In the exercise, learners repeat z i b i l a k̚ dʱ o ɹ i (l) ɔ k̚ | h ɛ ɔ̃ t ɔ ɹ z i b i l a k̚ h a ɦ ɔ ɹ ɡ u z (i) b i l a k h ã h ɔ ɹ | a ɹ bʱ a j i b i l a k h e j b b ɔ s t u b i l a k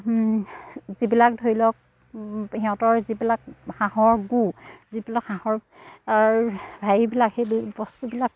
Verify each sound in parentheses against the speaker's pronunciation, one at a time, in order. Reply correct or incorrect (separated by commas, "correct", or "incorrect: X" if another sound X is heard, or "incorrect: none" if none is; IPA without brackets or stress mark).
correct, correct